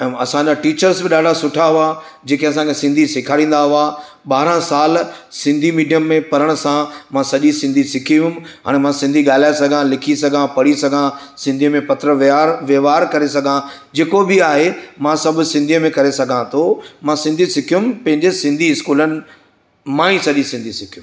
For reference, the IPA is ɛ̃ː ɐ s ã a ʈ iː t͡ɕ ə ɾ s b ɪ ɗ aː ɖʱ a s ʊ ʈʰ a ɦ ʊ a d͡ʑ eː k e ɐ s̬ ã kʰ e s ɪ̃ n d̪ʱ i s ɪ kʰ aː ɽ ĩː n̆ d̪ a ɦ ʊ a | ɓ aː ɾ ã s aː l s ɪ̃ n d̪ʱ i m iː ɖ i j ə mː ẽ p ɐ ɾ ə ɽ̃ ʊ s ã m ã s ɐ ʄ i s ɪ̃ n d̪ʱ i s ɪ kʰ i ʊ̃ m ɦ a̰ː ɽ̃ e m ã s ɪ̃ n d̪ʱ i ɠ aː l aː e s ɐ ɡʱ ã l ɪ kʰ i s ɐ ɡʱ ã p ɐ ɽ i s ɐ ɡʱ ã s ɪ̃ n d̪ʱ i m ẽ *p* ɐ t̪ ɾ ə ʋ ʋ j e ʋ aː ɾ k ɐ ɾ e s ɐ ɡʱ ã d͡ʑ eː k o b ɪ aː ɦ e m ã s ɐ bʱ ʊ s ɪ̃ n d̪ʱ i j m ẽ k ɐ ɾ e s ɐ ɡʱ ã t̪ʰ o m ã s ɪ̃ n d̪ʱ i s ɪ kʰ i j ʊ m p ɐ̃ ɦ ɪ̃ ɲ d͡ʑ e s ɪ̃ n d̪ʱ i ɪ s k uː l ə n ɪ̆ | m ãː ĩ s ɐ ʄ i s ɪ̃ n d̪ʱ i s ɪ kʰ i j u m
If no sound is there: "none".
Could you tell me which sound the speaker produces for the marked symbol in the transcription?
p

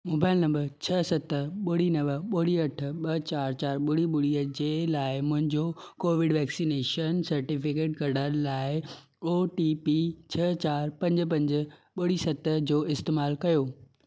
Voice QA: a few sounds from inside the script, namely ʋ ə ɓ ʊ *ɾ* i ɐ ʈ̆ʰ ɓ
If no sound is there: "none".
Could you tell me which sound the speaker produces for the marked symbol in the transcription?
ɽ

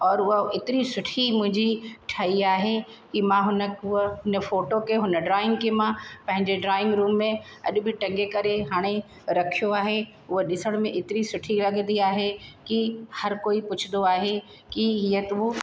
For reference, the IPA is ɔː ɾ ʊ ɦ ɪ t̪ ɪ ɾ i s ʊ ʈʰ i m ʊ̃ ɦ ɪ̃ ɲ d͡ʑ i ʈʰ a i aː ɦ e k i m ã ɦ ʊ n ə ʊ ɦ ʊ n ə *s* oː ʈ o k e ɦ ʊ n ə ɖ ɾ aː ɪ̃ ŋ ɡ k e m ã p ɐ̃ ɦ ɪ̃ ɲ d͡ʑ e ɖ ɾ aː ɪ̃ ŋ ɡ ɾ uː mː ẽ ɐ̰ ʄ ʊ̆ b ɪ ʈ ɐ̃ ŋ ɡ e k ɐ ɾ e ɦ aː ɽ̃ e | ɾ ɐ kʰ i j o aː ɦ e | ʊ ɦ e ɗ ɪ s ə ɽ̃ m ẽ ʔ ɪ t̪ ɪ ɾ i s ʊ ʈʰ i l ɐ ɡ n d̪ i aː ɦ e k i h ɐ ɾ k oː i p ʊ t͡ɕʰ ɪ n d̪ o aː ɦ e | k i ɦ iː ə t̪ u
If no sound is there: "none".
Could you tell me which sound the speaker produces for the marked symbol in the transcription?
f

